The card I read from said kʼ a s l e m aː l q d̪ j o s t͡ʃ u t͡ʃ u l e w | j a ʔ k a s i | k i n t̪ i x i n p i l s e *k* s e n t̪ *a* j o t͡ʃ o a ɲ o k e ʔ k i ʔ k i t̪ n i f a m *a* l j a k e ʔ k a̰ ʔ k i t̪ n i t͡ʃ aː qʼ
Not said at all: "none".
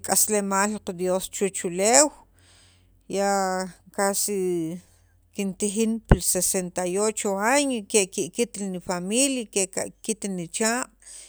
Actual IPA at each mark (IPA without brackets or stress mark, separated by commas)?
none, a, i